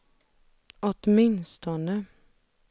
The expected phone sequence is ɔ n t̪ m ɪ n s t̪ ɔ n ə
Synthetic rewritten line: ɔ t̪ m ɪ n s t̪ ɔ n ə

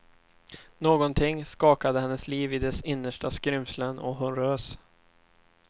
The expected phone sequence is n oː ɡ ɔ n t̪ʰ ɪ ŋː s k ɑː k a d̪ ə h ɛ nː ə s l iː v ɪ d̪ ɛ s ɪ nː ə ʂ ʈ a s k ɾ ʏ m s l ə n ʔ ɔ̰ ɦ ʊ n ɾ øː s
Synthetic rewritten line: n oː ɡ ɔ n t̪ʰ ɪ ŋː s k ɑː k a d̪ ə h ɛ nː ə s l iː v ɪ d̪ ɛ s ɪ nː ə ʂ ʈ a s k ɾ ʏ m s l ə n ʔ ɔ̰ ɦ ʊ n ɾ øː s

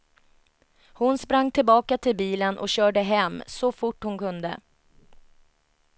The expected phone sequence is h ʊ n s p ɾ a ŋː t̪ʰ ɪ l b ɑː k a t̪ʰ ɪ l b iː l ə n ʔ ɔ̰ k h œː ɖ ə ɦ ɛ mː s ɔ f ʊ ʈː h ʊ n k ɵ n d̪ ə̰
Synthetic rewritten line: h ʊ n s p ɾ a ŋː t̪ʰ ɪ l b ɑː k a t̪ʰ ɪ l b iː l ə n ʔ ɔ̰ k ɕ œː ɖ ə ɦ ɛ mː s ɔ f ʊ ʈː h ʊ n k ɵ n d̪ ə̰

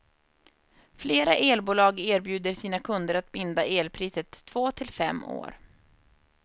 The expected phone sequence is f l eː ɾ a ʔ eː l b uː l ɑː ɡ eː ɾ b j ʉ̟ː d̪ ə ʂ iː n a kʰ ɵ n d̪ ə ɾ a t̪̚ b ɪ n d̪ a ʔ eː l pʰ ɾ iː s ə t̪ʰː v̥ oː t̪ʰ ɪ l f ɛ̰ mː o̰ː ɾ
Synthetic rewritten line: f l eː ɾ a ʔ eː l b uː l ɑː ɡ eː ɾ b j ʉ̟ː d̪ ə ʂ iː n a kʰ ɵ n d̪ ə ɾ a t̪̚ b ɪ n d̪ a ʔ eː l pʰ ɾ iː s ə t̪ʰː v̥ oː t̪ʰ ɪ l f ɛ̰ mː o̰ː ɾ

